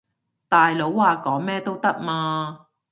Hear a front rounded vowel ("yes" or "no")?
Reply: no